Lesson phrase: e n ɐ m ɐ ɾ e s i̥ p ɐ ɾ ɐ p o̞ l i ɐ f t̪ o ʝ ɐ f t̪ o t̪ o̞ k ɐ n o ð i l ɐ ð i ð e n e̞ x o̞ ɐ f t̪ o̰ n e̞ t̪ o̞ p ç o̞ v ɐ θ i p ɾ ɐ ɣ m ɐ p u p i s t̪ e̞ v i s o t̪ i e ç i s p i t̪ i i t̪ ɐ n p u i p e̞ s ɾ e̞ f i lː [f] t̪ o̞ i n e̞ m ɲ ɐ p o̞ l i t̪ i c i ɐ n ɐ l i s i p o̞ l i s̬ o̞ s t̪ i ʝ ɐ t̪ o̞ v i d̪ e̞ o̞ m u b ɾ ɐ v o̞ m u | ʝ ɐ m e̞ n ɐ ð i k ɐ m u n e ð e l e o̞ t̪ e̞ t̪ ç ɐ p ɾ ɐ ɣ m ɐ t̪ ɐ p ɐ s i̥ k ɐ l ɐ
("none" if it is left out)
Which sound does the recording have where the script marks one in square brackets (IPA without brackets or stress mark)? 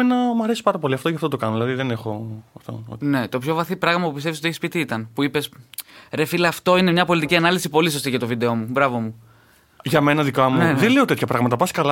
f